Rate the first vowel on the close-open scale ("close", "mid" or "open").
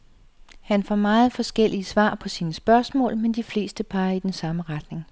open